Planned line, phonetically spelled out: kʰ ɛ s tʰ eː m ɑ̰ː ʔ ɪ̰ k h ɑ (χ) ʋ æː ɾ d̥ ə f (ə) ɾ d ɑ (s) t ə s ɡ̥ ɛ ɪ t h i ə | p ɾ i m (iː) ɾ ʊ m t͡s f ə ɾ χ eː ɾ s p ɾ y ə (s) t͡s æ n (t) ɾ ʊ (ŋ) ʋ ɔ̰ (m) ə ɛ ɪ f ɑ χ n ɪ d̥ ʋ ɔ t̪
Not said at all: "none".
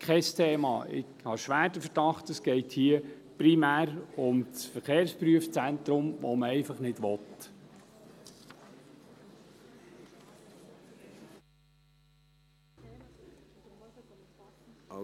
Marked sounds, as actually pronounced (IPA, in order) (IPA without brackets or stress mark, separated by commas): ʃ, ə, χ, æː, f, t, m, m